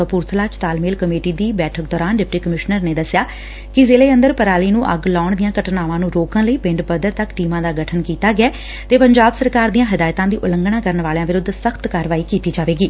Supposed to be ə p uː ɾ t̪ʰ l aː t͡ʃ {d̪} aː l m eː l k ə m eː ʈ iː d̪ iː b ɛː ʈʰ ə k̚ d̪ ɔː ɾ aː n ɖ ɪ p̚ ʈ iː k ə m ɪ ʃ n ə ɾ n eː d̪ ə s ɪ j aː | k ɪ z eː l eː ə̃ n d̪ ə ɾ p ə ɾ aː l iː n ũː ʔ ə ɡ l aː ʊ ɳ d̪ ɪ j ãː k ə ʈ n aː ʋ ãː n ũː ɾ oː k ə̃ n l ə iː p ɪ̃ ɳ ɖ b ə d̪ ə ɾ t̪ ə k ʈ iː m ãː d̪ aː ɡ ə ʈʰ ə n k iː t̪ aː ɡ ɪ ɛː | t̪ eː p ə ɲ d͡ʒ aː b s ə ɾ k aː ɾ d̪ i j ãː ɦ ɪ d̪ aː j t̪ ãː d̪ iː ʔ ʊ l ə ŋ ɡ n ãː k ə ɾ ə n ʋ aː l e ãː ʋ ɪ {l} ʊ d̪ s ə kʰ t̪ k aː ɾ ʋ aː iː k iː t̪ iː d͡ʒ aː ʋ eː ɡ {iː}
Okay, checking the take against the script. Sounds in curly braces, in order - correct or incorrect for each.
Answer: incorrect: t̪, incorrect: ɾ, correct

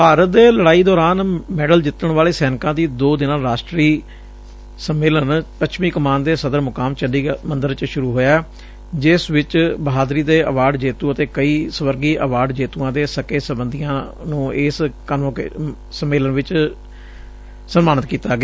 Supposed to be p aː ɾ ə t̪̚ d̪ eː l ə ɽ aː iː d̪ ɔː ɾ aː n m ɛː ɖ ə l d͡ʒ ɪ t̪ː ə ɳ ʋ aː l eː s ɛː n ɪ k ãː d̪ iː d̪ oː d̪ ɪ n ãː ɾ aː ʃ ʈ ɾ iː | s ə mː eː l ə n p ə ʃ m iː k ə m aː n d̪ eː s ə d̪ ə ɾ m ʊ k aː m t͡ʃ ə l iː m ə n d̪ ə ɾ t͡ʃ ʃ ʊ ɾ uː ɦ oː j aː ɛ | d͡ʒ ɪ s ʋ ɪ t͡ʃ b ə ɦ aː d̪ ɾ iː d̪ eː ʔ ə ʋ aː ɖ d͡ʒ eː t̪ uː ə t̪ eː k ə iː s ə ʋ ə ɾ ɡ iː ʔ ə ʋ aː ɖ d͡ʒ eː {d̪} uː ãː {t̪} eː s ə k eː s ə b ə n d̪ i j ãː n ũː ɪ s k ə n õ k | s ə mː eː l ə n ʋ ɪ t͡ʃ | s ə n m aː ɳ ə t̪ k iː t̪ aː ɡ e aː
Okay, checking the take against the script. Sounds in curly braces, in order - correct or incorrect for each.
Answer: incorrect: t̪, incorrect: d̪

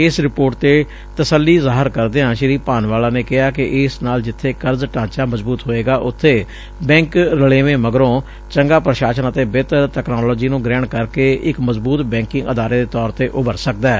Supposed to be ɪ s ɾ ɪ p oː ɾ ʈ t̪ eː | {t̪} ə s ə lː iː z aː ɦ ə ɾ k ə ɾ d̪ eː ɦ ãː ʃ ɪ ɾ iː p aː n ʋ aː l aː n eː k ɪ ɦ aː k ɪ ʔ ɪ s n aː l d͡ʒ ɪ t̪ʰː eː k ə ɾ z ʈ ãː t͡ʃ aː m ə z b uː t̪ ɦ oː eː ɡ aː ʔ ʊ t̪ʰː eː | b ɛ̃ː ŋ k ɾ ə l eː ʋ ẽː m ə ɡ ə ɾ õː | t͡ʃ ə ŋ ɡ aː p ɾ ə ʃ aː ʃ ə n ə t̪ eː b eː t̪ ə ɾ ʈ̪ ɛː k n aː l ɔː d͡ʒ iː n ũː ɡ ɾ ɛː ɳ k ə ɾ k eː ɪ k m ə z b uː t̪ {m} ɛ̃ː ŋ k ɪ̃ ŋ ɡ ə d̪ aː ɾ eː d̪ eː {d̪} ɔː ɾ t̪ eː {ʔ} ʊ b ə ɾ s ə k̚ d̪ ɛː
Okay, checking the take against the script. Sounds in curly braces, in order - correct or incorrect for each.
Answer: correct, incorrect: b, incorrect: t̪, correct

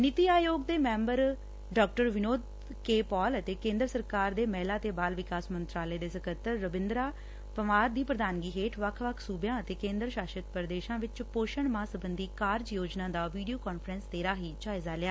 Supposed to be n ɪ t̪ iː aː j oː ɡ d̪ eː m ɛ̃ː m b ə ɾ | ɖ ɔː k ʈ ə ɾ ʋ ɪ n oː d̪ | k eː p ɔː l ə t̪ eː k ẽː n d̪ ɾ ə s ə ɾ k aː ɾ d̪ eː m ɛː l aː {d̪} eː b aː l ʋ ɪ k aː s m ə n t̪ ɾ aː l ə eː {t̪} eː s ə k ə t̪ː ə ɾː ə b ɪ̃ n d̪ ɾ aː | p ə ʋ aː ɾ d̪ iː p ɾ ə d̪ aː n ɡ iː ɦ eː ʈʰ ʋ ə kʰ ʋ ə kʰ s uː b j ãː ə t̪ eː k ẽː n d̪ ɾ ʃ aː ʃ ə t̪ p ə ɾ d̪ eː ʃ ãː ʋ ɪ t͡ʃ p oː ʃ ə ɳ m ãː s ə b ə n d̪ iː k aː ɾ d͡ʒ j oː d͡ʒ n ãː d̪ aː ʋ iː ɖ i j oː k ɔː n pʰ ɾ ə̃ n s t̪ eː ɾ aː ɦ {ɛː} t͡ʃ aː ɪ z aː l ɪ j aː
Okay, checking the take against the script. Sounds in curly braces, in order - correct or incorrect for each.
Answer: incorrect: t̪, incorrect: d̪, incorrect: iː

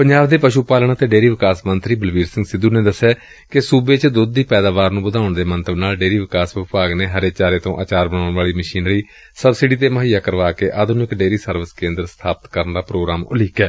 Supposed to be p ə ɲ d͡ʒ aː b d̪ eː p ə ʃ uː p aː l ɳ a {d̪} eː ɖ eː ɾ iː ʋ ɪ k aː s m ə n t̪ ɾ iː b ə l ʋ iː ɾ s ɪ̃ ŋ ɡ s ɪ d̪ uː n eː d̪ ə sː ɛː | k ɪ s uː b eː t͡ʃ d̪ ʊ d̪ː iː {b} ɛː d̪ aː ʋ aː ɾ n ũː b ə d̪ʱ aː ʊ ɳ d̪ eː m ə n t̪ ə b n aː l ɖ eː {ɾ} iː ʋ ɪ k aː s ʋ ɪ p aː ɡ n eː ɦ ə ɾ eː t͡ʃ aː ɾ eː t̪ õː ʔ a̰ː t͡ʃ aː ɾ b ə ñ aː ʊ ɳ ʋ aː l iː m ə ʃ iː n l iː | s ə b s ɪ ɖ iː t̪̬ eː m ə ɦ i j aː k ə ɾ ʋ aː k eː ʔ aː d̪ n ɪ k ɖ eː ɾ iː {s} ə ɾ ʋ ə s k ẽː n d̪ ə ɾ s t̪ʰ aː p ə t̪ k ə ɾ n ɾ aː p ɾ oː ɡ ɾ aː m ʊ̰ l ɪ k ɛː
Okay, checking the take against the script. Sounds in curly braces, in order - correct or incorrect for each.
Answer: incorrect: t̪, incorrect: p, correct, correct

